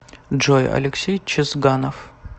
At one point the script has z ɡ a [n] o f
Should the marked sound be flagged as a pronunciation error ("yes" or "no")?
no